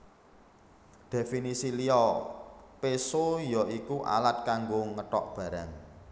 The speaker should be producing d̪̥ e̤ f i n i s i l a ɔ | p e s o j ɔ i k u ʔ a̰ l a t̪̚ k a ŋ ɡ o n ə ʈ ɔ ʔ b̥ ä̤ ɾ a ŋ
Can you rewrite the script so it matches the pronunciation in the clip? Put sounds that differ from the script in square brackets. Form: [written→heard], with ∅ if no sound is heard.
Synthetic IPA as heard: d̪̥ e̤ f i n i s i l [a→i] ɔ | p e s o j ɔ i k u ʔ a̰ l a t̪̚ k a ŋ ɡ o [n→ŋ] ə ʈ ɔ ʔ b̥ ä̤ ɾ a ŋ